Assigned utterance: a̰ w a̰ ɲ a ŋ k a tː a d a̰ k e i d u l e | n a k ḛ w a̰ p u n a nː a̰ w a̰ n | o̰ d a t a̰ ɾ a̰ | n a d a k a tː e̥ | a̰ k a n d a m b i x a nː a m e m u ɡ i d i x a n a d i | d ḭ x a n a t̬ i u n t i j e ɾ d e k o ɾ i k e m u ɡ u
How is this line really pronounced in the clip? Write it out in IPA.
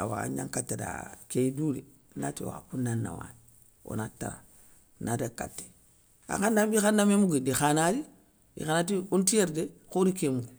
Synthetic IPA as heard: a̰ w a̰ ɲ a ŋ k a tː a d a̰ k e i d u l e | n a t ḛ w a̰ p u n a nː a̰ w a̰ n | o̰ n a t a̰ ɾ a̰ | n a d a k a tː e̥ | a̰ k a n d a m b i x a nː a m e m u ɡ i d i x a n a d i | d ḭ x a n a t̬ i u n t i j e ɾ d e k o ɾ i k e m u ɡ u